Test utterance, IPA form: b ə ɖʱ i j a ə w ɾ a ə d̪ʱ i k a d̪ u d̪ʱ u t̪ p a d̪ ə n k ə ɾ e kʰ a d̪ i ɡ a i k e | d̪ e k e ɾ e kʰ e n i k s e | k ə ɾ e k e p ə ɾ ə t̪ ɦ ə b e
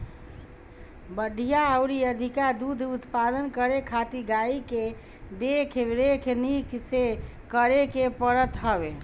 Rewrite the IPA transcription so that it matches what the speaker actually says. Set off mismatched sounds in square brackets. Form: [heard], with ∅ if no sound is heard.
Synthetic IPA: b ə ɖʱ i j a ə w ɾ [i] ə d̪ʱ i k a d̪ u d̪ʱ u t̪ p a d̪ ə n k ə ɾ e kʰ a [t̪] i ɡ a i k e | d̪ e [kʰ] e ɾ e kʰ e n i k s e | k ə ɾ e k e p ə ɾ ə t̪ ɦ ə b e